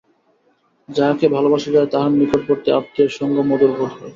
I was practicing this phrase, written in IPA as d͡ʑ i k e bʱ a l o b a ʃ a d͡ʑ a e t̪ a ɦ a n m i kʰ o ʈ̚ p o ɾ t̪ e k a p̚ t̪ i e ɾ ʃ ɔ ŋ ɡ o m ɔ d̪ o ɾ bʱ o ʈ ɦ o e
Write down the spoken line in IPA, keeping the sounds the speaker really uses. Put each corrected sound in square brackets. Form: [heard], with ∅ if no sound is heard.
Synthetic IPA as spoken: d͡ʑ [a] k e bʱ a l o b a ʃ a d͡ʑ a e t̪ a ɦ a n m i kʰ o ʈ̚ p o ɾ t̪ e [∅] a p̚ t̪ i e ɾ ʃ ɔ ŋ ɡ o m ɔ d̪ o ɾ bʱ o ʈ ɦ [ɔ] e